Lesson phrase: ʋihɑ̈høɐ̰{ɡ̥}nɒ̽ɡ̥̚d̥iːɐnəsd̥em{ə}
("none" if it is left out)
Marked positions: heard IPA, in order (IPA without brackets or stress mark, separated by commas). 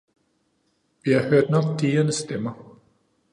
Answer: d̥, ɐ